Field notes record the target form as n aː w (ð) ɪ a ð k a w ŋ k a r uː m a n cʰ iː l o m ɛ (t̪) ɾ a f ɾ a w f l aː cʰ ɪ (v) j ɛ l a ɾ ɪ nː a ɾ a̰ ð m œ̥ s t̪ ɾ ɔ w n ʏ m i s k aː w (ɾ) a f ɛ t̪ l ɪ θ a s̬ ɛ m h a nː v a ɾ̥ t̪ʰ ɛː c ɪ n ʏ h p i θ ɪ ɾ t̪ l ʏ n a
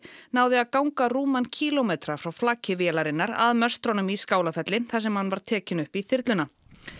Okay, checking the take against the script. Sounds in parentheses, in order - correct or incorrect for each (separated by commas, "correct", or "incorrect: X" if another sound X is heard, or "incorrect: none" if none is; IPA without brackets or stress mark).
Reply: correct, correct, correct, incorrect: l